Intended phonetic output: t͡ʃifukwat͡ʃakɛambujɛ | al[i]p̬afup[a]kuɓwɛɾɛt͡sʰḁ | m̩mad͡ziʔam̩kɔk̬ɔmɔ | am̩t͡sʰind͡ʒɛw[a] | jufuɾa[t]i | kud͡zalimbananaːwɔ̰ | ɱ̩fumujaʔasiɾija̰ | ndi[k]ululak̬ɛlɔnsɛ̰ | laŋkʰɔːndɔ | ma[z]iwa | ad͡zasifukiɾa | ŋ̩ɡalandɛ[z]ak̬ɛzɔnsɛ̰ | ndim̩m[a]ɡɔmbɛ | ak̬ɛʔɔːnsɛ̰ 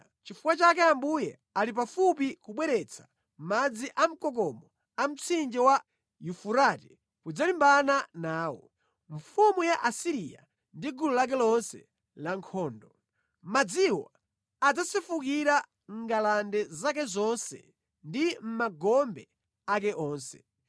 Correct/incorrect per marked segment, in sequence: correct, incorrect, correct, correct, incorrect, incorrect, correct, correct

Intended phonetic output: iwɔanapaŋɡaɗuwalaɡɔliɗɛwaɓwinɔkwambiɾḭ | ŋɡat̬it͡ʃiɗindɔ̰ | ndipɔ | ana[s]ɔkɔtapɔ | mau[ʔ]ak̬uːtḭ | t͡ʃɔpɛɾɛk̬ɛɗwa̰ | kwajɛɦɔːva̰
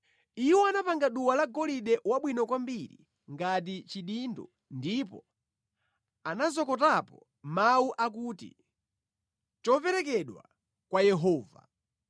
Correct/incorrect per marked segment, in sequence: incorrect, correct

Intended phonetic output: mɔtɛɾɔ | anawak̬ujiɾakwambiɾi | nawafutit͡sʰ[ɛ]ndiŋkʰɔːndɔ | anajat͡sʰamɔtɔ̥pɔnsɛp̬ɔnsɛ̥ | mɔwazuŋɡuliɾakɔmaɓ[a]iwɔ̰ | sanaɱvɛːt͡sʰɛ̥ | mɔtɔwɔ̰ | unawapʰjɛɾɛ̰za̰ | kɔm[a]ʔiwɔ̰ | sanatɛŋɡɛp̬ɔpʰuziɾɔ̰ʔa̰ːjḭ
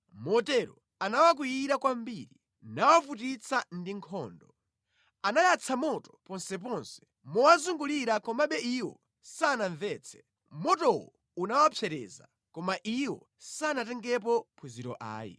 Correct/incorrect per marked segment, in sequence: incorrect, incorrect, correct

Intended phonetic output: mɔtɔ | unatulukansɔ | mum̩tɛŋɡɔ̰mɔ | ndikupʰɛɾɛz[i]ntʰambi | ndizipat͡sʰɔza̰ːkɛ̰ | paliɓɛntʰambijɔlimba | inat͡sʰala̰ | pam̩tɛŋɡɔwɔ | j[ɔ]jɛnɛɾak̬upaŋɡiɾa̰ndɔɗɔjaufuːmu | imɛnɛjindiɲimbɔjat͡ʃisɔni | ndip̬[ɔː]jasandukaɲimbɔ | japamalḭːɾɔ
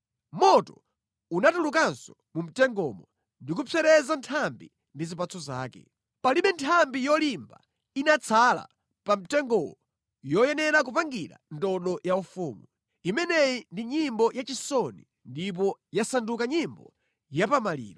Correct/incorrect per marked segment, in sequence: incorrect, correct, incorrect

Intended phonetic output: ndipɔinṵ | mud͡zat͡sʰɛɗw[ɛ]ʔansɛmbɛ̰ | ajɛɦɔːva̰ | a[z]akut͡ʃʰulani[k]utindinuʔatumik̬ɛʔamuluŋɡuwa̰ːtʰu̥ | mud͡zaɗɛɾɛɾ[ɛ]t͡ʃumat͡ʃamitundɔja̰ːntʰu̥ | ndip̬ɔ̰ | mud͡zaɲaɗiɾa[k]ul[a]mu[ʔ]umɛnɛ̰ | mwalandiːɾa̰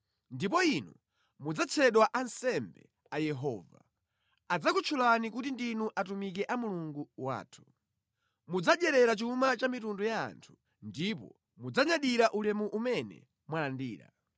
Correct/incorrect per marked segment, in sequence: incorrect, incorrect, correct, incorrect, incorrect, incorrect, correct

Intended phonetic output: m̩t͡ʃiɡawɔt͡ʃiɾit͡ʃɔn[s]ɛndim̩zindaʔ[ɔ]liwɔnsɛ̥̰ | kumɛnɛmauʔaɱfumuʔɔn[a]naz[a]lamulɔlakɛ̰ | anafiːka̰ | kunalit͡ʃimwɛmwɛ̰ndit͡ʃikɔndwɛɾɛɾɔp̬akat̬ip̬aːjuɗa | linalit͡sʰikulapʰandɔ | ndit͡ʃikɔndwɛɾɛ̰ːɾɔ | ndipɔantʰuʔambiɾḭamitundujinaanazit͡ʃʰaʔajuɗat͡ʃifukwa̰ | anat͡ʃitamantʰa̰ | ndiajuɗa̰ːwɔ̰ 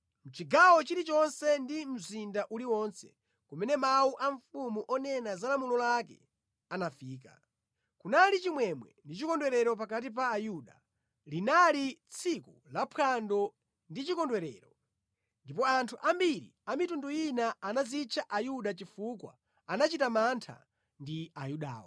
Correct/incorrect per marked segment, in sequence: correct, incorrect, incorrect, correct

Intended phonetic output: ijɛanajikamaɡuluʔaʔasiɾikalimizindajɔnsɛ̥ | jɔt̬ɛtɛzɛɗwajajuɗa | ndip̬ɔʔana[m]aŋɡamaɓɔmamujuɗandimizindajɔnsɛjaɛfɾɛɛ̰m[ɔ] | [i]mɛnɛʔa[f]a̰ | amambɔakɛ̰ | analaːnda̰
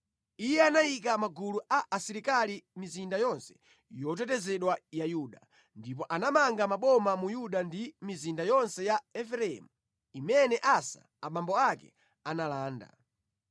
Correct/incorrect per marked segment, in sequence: correct, incorrect, correct, incorrect

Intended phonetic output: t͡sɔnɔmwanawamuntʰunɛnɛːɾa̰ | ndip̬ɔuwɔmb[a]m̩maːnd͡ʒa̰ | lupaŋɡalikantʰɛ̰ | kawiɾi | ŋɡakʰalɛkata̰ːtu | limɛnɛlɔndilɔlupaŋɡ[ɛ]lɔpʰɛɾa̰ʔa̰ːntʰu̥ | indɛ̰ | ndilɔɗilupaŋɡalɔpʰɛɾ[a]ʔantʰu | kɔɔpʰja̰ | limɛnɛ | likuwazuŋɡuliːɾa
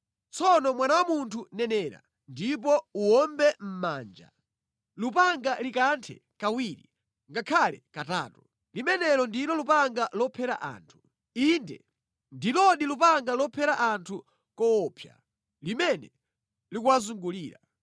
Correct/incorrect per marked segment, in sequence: incorrect, incorrect, correct

